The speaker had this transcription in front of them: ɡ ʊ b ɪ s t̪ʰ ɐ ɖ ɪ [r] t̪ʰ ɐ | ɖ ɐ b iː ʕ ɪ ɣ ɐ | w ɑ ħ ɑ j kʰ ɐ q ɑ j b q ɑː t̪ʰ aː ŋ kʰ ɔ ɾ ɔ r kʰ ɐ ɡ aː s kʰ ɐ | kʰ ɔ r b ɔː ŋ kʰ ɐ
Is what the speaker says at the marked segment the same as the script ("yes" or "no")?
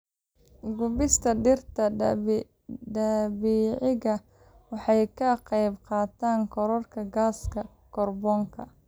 yes